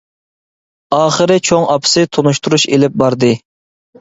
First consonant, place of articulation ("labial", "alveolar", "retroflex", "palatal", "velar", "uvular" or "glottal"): uvular